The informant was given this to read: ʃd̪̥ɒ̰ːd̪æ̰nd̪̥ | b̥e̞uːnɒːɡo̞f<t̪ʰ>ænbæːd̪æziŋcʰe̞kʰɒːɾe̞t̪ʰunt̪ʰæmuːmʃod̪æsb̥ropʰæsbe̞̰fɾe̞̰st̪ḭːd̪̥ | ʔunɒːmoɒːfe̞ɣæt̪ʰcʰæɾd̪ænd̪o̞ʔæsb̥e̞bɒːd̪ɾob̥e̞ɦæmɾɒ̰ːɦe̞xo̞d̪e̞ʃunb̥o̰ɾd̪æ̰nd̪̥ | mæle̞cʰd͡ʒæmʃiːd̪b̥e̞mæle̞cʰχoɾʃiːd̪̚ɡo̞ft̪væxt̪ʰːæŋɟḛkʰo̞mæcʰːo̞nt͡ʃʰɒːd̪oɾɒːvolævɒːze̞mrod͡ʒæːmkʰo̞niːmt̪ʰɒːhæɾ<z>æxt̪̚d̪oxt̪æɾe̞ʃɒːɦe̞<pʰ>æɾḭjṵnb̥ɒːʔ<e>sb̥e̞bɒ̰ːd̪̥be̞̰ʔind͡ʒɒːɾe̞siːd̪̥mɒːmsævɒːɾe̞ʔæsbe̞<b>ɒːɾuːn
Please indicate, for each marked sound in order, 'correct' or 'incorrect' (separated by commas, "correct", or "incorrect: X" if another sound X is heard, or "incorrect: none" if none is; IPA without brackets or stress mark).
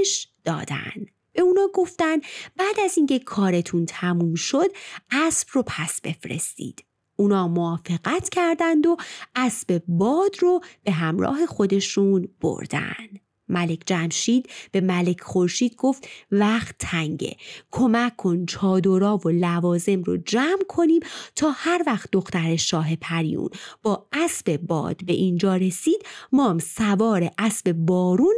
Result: incorrect: t̪, incorrect: v, correct, incorrect: æ, correct